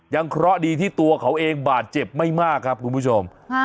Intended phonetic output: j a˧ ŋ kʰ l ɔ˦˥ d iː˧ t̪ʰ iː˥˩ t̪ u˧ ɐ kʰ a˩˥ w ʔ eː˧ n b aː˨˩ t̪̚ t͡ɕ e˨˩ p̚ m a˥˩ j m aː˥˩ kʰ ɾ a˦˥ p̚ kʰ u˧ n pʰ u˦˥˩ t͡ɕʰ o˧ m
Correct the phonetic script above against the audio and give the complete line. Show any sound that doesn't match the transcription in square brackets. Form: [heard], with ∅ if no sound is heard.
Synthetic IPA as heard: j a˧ ŋ kʰ [ɾ] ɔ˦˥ d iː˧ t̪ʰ iː˥˩ t̪ u˧ ɐ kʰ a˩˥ w ʔ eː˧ [ŋ] b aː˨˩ t̪̚ t͡ɕ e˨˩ p̚ m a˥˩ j m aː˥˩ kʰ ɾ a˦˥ p̚ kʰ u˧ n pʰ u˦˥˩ t͡ɕʰ o˧ m